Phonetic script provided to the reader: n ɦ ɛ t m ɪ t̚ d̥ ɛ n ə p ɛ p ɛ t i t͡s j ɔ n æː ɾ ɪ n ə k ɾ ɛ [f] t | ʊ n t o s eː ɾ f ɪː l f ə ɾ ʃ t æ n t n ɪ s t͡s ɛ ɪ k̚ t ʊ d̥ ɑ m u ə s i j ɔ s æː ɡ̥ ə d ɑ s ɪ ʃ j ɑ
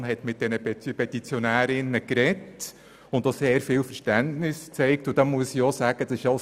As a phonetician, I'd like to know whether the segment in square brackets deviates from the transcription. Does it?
yes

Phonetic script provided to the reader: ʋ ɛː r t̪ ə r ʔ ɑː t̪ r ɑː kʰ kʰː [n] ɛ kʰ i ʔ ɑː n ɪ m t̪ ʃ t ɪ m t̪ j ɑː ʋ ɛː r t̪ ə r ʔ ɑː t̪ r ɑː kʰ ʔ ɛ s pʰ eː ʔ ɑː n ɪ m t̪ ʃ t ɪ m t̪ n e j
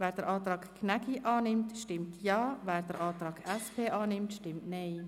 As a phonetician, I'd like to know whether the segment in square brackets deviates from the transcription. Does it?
no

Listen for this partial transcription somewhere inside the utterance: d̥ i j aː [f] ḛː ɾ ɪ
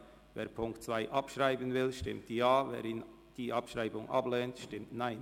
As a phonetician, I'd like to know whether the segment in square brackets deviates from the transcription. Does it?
yes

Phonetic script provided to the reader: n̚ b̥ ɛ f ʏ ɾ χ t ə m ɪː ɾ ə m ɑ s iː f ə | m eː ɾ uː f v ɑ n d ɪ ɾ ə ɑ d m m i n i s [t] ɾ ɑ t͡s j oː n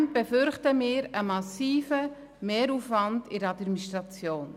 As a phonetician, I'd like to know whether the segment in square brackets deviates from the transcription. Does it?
no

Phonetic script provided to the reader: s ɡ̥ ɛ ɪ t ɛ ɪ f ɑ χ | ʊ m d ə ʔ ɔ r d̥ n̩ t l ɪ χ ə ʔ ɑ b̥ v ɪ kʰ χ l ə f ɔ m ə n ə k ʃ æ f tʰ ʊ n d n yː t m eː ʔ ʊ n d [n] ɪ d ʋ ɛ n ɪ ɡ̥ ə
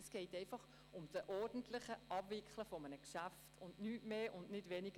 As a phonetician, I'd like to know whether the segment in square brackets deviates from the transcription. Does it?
no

